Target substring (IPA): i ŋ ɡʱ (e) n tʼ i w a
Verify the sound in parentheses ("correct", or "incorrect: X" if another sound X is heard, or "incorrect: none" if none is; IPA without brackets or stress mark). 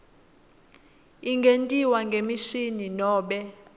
correct